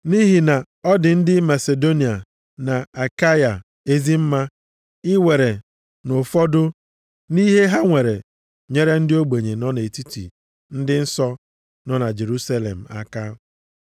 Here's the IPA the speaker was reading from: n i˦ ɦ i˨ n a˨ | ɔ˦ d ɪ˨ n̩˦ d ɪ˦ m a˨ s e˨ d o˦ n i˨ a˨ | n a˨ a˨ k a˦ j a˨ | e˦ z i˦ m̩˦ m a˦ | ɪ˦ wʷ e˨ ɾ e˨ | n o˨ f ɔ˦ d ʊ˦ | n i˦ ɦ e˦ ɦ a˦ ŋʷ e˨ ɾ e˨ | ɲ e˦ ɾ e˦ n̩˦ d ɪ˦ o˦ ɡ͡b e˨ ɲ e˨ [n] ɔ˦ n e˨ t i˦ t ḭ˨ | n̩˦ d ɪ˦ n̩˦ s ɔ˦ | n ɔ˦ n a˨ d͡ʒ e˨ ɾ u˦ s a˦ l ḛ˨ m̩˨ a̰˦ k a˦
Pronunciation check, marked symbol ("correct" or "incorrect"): correct